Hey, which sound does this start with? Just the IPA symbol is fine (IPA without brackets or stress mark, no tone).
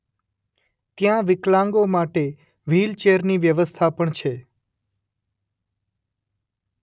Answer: t̪